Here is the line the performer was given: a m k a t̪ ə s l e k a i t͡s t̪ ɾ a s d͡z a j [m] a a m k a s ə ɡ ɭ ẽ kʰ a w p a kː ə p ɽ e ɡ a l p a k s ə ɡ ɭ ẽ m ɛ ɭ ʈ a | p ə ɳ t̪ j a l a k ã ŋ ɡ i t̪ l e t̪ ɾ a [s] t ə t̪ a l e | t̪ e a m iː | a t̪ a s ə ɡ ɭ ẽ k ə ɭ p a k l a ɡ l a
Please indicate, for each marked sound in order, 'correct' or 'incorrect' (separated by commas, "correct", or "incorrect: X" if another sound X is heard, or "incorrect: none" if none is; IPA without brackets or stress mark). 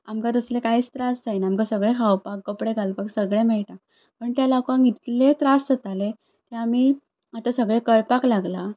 incorrect: n, correct